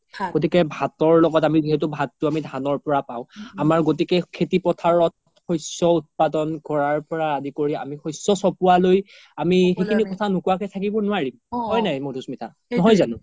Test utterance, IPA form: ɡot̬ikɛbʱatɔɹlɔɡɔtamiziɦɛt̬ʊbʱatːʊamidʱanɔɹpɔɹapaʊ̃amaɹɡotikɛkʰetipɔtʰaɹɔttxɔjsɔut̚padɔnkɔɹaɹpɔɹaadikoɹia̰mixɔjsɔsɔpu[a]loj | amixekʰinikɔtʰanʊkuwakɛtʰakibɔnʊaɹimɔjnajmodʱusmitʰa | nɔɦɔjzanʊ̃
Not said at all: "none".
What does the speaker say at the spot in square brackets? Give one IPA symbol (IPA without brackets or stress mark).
a